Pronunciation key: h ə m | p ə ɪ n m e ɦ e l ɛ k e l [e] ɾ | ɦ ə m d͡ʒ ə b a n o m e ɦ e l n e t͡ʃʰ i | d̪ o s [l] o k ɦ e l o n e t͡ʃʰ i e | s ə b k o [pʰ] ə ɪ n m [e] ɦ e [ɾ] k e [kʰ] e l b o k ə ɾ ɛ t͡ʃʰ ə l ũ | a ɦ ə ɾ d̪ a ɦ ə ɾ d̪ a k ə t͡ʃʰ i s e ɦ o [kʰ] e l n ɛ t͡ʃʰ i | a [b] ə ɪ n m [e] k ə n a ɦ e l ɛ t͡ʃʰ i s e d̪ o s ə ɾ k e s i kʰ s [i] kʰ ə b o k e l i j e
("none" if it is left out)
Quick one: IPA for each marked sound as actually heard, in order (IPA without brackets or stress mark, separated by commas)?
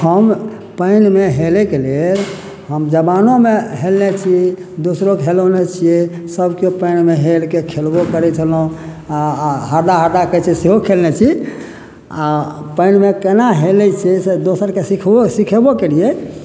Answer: e, ɾ, p, e, l, kʰ, kʰ, p, e, i